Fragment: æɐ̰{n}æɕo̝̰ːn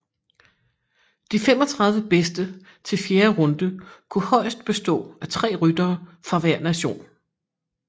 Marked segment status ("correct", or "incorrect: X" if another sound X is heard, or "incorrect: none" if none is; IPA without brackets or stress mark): correct